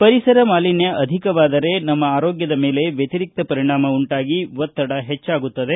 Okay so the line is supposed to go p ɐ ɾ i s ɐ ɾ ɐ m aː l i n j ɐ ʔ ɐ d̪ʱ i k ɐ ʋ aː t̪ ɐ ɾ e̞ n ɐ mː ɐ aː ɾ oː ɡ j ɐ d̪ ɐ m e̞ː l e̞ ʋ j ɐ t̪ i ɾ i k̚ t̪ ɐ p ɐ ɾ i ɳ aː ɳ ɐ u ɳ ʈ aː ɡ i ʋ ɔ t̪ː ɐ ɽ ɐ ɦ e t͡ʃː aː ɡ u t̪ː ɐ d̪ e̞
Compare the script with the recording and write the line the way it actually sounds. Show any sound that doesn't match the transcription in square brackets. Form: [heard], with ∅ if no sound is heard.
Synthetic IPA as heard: p ɐ ɾ i s ɐ ɾ ɐ m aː l i n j ɐ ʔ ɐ d̪ʱ i k ɐ ʋ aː [d̪] ɐ ɾ e̞ n ɐ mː ɐ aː ɾ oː ɡ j ɐ d̪ ɐ m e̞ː l e̞ ʋ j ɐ t̪ i ɾ i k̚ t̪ ɐ p ɐ ɾ i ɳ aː [m] ɐ u ɳ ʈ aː ɡ i ʋ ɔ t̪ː ɐ ɽ ɐ ɦ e t͡ʃː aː ɡ u t̪ː ɐ d̪ e̞